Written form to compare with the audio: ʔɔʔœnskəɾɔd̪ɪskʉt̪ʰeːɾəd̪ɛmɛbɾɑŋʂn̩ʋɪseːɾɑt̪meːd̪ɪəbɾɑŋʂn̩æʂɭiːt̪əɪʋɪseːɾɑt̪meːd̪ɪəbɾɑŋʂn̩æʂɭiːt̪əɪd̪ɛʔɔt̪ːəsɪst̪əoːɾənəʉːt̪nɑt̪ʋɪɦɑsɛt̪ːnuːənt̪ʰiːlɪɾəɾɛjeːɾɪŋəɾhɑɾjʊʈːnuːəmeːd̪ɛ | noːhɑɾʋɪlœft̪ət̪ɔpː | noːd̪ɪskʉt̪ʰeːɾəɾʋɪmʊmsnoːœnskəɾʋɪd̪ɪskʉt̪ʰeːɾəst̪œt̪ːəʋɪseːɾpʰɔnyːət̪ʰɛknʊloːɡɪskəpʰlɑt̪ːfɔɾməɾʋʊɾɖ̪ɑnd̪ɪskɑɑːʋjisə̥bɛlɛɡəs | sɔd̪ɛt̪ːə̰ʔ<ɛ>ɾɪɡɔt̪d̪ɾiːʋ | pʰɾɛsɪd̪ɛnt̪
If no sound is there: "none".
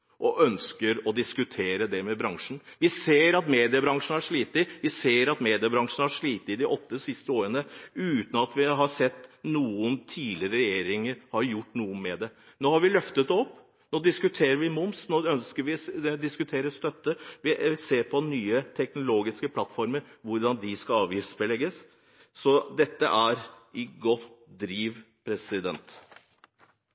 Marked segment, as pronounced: æ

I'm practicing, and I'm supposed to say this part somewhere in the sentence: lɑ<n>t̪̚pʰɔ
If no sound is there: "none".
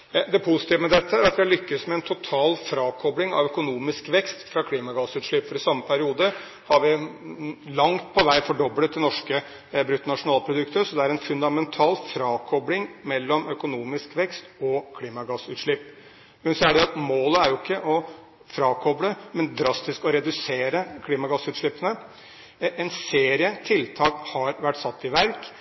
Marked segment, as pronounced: ŋ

